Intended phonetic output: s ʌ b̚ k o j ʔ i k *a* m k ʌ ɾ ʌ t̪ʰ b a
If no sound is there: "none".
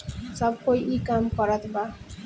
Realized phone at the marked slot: a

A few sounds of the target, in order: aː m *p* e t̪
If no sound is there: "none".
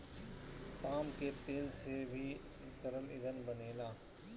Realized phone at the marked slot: k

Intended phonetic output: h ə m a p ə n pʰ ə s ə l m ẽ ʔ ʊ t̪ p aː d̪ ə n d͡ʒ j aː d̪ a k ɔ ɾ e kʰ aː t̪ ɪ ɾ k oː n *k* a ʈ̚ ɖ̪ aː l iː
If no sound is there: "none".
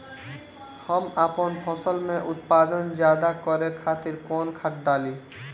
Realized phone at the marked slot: kʰ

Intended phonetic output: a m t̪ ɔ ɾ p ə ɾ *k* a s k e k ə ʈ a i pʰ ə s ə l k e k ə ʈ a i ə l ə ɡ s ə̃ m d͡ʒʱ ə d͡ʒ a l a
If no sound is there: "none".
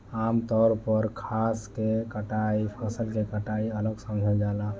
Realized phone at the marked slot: kʰ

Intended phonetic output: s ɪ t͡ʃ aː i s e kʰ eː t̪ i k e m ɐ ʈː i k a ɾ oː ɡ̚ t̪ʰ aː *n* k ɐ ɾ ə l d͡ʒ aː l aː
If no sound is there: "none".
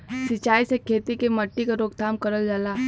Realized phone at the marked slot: m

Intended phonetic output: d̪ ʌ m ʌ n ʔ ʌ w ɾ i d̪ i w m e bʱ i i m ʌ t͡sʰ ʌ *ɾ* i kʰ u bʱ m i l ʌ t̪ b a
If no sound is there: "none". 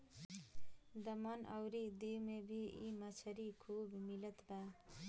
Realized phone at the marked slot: ɾ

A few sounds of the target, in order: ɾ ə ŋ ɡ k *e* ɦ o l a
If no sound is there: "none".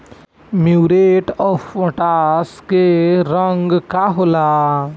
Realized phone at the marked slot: a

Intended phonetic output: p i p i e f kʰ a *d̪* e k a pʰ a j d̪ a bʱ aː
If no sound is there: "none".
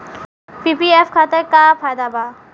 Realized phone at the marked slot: t̪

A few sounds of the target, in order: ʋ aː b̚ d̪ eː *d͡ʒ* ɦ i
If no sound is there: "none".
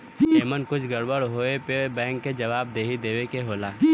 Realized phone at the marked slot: none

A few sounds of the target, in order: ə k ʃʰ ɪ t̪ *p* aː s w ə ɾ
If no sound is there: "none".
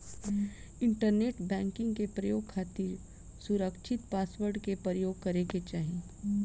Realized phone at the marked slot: p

